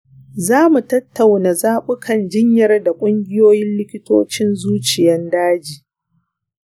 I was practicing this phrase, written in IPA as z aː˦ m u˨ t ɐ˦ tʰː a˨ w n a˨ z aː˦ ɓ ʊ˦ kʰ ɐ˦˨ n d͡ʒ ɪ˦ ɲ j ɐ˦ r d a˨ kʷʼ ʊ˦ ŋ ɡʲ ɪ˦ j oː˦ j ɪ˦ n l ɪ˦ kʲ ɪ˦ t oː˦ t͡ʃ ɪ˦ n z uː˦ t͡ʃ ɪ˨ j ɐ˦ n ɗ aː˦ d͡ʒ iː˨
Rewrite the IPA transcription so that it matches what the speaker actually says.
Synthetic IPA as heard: z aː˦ m u˨ t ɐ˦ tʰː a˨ w n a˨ z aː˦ ɓ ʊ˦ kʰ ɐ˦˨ n d͡ʒ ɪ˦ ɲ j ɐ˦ r d a˨ kʷʼ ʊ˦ ŋ ɡʲ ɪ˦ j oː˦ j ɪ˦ n l ɪ˦ kʲ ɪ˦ t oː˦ t͡ʃ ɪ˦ n z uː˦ t͡ʃ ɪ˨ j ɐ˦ n d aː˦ d͡ʒ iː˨